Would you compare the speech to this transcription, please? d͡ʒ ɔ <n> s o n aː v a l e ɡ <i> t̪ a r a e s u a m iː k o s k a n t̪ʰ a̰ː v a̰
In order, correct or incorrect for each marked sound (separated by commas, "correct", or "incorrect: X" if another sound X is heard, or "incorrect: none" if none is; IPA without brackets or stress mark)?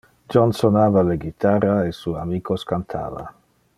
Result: correct, correct